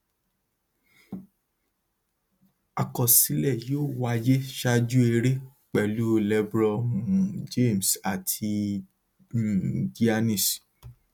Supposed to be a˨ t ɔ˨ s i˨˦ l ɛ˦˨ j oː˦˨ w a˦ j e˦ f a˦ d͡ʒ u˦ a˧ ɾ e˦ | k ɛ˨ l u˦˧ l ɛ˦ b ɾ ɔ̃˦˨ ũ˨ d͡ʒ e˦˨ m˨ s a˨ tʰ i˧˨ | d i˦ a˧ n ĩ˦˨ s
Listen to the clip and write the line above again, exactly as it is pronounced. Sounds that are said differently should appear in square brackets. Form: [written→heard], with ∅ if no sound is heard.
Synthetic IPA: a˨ [t→k] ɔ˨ s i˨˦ l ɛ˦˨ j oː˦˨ w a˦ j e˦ [f→ʃ] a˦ d͡ʒ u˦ [a˧→e˧] ɾ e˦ | [k→k͡p] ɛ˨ l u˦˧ l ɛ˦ b ɾ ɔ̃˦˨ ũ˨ d͡ʒ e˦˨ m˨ s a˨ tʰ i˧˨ | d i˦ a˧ n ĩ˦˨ s